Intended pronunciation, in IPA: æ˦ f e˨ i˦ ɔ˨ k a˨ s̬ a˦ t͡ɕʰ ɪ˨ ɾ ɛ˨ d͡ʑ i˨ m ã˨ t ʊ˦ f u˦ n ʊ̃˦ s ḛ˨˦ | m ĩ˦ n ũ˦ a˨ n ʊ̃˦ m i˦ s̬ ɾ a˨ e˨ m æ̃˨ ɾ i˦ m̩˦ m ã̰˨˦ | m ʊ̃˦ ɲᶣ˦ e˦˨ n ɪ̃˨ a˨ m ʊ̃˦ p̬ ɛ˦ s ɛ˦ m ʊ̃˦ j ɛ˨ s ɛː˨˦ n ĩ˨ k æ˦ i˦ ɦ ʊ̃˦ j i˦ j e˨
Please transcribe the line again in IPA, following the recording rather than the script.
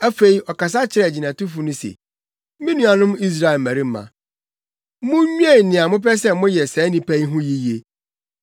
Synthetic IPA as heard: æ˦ f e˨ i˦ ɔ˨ k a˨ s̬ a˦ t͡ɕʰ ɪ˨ ɾ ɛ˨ d͡ʑ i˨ n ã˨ t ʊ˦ f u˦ n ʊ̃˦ s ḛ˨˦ | m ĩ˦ n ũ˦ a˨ n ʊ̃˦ m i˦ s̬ ɾ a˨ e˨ m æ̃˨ ɾ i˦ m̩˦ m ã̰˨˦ | m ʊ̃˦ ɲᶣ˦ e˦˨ n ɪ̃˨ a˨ m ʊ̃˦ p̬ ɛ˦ s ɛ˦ m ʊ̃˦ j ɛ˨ s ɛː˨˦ n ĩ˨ p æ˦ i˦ ɦ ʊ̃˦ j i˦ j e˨

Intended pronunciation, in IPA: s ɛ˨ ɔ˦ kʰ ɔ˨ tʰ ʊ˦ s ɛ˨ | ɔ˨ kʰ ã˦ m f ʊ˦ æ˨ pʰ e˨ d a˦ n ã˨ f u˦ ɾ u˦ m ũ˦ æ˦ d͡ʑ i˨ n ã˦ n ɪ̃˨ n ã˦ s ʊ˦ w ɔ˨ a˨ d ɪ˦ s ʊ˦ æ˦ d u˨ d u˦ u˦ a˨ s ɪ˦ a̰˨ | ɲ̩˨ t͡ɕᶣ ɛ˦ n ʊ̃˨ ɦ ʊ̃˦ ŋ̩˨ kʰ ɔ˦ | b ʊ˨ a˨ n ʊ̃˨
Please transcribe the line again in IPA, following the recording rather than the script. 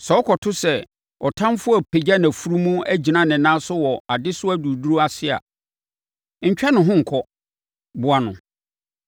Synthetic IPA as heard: s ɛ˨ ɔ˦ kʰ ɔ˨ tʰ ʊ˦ s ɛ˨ | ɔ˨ tʰ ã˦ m f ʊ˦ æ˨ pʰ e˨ d͡ʑ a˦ n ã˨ f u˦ ɾ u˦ m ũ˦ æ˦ d͡ʑ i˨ n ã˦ n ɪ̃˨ n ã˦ s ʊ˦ w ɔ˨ a˨ d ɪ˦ s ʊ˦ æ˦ d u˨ d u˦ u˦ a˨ s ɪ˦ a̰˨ | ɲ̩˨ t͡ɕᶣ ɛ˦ n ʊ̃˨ ɦ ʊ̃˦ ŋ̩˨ kʰ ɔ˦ | b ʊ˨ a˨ n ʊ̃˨

